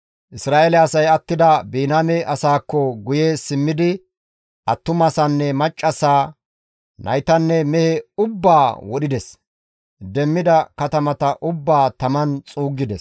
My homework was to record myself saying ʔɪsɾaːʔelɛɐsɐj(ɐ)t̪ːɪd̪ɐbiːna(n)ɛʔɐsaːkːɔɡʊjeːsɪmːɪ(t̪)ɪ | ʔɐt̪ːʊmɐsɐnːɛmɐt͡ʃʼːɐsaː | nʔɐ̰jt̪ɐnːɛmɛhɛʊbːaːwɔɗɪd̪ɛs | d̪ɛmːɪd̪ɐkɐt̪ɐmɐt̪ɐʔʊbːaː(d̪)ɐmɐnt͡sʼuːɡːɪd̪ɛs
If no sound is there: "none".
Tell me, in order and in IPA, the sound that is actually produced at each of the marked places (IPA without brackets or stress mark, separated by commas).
ɐ, m, d̪, t̪